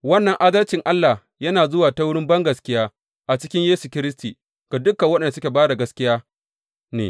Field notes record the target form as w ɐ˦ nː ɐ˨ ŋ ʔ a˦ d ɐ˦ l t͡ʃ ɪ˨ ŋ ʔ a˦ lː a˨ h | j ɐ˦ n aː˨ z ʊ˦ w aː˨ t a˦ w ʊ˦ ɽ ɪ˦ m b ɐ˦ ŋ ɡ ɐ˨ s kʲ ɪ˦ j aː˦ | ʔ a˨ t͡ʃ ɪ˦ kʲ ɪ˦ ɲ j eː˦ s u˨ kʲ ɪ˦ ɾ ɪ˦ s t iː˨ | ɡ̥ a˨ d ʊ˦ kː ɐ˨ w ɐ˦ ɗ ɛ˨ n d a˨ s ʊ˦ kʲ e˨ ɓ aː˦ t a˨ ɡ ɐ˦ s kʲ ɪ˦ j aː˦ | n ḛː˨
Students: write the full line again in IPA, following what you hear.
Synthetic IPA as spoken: w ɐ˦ nː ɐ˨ ŋ ʔ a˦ d ɐ˦ l t͡ʃ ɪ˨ ŋ ʔ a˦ lː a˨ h | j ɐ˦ n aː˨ z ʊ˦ w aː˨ t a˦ w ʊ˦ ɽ ɪ˦ m b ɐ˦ ŋ ɡ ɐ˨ s kʲ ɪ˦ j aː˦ | ʔ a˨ t͡ʃ ɪ˦ kʲ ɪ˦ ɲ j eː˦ s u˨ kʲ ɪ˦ ɾ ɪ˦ s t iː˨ | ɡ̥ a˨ d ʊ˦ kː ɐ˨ w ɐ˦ ɗ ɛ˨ n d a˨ s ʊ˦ kʲ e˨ b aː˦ d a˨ ɡ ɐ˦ s kʲ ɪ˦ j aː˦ | n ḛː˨